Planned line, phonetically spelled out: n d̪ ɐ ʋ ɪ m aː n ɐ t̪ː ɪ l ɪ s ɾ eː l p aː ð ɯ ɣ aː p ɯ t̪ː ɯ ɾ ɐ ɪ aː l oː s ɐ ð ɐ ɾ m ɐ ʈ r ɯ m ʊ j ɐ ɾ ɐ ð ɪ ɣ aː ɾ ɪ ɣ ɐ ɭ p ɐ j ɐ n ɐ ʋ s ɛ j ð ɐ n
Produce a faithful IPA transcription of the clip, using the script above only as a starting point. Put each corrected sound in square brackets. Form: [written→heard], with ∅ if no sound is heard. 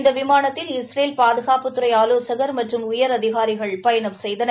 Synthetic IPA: n d̪ ɐ ʋ ɪ m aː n ɐ t̪ː ɪ l ɪ s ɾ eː l p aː ð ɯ ɣ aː p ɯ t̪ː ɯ ɾ ɐ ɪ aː l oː s ɐ [ð→ɣ] ɐ ɾ m ɐ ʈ r ɯ m ʊ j ɐ ɾ ɐ ð ɪ ɣ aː ɾ ɪ ɣ ɐ ɭ p ɐ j ɐ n ɐ ʋ s ɛ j ð ɐ n